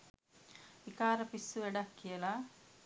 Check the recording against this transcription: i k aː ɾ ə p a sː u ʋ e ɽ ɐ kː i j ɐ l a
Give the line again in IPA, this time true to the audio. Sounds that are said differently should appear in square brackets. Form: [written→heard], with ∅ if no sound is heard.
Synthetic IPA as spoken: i k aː ɾ [ə→ɐ] p [a→i] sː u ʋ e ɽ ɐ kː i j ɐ l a